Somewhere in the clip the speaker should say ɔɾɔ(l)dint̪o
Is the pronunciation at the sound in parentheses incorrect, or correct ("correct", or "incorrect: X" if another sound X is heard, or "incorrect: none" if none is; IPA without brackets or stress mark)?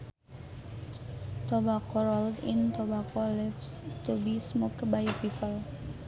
correct